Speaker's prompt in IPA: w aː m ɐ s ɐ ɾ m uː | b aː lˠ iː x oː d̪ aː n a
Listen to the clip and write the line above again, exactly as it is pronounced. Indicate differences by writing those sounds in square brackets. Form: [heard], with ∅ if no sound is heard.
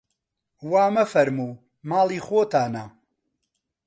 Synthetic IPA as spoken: w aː m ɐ [f] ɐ ɾ m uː | [m] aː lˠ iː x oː [t̪] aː n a